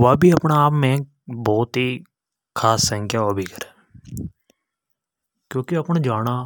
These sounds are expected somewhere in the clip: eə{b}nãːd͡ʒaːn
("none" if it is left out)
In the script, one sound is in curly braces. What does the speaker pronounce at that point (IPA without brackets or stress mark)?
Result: p